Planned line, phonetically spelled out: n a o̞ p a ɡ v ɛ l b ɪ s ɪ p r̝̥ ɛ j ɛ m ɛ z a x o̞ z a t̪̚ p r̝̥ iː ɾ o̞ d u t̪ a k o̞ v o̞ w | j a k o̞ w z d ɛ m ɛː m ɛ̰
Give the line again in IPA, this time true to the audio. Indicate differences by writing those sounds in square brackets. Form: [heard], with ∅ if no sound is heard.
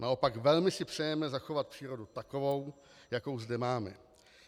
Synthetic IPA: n a o̞ p a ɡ v ɛ l [m] ɪ s ɪ p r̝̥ ɛ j ɛ m ɛ z a x o̞ [v] a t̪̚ p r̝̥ iː ɾ o̞ d u t̪ a k o̞ v o̞ w | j a k o̞ w z d ɛ m [aː] m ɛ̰